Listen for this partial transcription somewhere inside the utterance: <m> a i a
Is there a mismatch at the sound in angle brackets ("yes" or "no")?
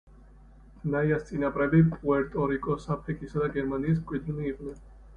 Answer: yes